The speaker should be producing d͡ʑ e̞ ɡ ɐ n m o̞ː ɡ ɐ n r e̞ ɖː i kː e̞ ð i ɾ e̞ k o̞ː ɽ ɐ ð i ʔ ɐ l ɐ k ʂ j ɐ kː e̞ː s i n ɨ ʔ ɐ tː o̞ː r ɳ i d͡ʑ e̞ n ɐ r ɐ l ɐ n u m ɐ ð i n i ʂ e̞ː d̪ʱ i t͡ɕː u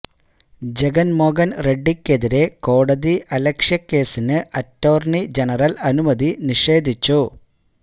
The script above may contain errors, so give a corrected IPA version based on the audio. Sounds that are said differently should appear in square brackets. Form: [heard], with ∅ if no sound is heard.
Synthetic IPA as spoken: d͡ʑ e̞ ɡ ɐ n m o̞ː ɡ ɐ n r e̞ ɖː i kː e̞ ð i ɾ e̞ k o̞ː ɽ ɐ ð i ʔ ɐ l ɐ k ʂ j ɐ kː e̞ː s i n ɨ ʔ ɐ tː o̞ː r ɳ i d͡ʑ e̞ n ɐ r ɐ l ɐ n u m ɐ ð i n i ʂ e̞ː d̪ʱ i t͡ɕː u